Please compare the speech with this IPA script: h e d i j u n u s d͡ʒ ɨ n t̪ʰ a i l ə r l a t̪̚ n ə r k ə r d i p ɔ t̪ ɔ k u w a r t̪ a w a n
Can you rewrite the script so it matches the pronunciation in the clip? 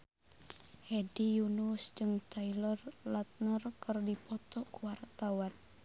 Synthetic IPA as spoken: h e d i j u n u s d͡ʒ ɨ ŋ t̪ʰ a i l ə r l a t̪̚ n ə r k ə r d i p ɔ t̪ ɔ k u w a r t̪ a w a n